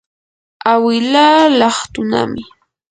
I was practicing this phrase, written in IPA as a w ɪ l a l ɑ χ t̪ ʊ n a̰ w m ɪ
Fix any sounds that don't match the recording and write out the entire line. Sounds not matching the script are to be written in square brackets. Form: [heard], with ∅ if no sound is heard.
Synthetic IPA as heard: a w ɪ l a l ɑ χ t̪ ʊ n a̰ [∅] m ɪ